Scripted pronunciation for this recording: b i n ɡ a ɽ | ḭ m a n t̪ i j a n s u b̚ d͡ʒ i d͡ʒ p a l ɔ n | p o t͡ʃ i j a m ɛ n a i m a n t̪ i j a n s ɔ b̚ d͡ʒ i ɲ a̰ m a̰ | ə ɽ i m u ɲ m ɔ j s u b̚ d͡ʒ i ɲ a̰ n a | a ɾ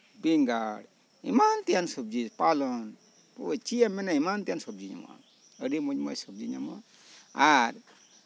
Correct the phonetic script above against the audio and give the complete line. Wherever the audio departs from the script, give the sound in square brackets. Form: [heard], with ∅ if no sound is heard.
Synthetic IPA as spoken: b i [ŋ] ɡ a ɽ | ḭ m a n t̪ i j a n s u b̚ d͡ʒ i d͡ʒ p a l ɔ n | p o t͡ʃ i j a m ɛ n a i m a n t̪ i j a n s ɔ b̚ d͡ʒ i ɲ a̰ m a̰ | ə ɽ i m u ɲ m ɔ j s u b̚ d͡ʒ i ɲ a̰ [m] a | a ɾ